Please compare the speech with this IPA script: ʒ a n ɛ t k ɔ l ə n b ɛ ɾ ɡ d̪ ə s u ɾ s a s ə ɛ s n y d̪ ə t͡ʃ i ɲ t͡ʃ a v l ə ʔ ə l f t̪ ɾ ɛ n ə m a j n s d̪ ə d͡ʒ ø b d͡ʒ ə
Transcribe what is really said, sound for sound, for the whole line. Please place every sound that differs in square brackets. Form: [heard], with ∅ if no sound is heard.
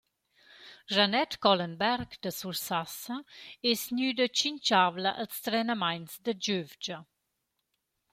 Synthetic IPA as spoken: ʒ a n ɛ t k ɔ l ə n b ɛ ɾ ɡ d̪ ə s u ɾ s a s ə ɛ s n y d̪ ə t͡ʃ i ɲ t͡ʃ a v l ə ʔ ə l [s] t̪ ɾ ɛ n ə m a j n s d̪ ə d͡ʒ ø [v] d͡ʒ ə